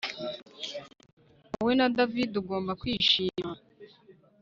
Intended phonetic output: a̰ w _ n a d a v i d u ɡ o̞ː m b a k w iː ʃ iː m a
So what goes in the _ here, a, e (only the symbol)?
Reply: e